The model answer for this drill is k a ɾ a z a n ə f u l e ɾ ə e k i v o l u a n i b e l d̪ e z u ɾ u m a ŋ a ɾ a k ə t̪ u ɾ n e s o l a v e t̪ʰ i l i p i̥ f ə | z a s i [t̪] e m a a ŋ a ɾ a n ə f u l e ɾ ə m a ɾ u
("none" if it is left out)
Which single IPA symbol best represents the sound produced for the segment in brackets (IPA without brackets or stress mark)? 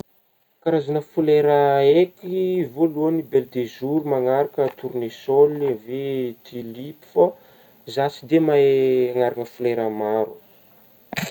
d̪